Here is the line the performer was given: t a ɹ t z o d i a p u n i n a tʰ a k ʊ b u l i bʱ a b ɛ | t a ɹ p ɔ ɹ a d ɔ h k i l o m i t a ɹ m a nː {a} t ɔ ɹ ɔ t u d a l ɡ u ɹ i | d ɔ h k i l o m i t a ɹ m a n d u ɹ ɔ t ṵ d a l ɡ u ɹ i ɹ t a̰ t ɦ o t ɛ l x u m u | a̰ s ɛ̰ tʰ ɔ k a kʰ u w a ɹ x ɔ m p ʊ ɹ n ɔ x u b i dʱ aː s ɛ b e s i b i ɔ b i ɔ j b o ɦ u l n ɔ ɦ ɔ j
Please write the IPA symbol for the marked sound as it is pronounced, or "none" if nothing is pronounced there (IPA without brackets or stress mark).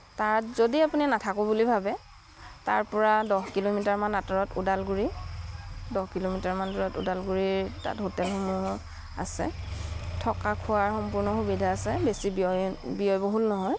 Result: a